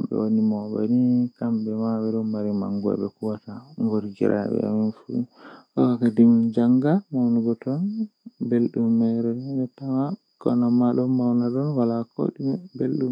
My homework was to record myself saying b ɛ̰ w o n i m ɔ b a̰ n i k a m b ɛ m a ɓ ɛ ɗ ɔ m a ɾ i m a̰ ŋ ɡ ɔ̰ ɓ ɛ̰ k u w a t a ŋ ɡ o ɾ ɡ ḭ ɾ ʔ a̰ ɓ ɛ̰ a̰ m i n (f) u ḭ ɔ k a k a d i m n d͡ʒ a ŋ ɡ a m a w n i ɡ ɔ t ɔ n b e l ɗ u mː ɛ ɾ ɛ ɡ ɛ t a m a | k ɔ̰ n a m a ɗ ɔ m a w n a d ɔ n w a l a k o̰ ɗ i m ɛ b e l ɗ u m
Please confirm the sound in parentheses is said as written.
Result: yes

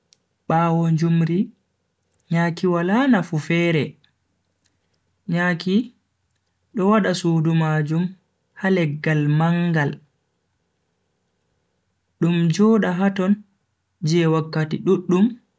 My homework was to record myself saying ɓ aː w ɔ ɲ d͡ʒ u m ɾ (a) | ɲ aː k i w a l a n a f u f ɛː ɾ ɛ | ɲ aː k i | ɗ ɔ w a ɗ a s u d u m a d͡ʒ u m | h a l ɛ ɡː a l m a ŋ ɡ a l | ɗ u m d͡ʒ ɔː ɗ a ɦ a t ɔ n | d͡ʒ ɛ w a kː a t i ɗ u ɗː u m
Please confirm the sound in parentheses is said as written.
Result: no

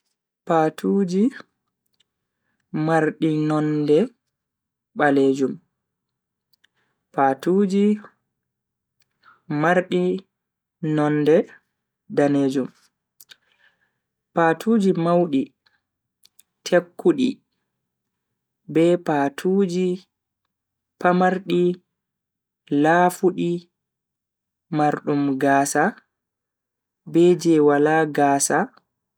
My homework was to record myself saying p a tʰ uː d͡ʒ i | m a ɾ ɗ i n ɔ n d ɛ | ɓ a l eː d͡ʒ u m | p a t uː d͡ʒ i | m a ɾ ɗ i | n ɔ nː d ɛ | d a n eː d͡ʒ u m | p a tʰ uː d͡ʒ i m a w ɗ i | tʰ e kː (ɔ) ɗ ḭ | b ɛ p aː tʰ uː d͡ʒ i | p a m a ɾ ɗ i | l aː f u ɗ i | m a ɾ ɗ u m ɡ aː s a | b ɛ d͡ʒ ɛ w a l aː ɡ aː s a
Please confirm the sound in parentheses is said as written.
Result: no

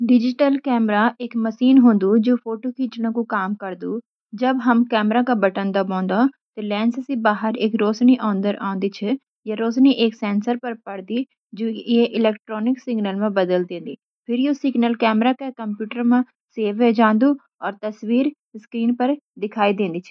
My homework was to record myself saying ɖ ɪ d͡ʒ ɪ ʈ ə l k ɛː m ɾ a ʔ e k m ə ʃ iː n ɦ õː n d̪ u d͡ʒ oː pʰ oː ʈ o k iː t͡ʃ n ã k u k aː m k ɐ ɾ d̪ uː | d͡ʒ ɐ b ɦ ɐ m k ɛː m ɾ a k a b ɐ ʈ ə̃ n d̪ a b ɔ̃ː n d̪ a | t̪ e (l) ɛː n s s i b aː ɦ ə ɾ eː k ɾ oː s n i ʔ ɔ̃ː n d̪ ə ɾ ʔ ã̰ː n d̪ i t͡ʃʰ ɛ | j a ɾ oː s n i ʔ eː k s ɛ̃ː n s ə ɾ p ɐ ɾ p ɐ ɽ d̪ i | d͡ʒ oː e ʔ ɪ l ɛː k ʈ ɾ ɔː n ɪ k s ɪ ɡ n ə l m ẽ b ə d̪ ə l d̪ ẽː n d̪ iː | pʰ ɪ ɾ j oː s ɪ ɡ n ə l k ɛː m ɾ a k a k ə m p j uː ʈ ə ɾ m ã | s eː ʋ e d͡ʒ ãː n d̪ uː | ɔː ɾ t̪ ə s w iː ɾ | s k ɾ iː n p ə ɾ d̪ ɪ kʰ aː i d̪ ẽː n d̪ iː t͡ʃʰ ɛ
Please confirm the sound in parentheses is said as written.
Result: yes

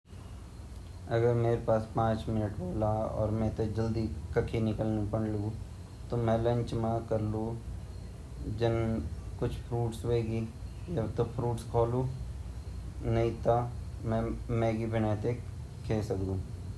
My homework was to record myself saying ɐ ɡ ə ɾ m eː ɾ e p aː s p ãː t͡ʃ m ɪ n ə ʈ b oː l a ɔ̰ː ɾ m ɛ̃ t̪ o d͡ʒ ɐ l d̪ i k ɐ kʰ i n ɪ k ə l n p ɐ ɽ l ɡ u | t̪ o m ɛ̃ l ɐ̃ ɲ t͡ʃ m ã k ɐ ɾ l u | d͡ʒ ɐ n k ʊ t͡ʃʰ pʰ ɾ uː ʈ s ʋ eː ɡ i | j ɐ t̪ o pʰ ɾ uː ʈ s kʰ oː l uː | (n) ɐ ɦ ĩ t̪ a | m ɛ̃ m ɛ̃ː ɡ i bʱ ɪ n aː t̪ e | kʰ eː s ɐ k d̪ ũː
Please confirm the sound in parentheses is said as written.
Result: yes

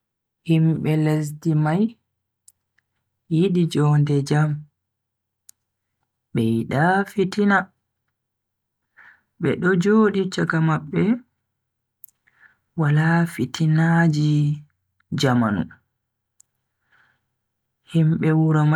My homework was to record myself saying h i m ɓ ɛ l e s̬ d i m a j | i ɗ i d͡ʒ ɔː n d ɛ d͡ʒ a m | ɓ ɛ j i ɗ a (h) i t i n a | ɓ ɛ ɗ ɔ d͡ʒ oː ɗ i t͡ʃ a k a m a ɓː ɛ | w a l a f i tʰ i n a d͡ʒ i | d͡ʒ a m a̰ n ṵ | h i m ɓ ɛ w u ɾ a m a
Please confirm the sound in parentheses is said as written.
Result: no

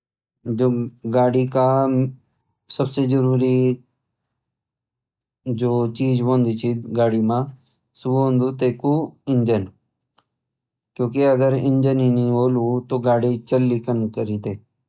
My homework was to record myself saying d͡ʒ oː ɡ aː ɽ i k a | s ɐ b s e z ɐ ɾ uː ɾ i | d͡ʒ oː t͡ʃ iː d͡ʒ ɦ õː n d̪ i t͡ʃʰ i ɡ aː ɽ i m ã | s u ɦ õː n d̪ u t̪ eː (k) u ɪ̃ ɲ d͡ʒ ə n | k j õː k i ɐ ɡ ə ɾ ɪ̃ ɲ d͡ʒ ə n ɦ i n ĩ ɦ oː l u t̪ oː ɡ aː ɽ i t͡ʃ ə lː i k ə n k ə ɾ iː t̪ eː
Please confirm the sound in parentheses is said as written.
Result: yes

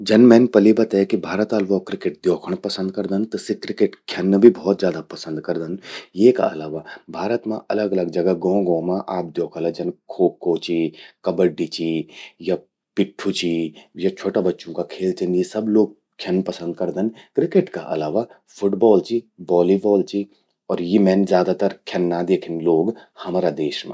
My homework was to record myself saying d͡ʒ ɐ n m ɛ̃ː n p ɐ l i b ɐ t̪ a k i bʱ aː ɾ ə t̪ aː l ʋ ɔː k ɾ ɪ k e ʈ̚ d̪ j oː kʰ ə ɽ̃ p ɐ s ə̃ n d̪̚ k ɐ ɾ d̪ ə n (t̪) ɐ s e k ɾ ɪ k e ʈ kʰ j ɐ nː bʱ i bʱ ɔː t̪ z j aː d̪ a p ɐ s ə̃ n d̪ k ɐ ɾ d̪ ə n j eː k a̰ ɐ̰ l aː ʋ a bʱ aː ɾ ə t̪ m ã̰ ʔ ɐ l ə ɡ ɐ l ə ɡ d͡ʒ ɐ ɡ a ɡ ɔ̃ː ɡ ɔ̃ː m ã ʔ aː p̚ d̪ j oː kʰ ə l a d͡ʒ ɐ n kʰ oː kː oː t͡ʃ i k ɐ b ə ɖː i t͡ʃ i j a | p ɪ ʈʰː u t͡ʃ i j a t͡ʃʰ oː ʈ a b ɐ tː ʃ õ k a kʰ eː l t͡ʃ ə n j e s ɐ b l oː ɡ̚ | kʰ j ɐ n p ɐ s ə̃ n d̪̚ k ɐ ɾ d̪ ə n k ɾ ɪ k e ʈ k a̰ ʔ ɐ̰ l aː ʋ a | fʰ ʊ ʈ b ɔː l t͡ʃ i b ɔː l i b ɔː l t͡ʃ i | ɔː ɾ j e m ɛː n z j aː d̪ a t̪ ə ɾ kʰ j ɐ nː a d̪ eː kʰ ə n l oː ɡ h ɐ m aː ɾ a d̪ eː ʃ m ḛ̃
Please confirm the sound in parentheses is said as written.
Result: yes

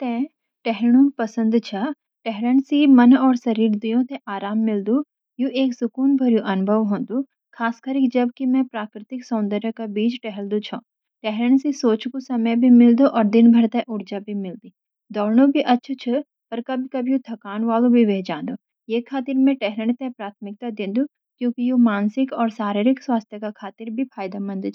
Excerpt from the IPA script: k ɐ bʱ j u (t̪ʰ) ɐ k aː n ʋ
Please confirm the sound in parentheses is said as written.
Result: yes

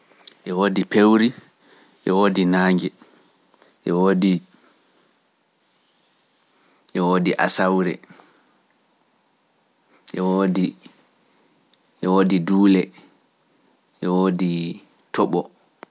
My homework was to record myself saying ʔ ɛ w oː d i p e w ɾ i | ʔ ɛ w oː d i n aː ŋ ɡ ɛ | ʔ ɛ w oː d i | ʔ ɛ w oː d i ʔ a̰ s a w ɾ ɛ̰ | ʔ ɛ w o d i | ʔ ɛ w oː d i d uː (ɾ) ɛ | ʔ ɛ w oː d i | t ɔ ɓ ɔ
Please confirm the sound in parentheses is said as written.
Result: no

